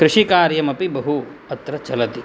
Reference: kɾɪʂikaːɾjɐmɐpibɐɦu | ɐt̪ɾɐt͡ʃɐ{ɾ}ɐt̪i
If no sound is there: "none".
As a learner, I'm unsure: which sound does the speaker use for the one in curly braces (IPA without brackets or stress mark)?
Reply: l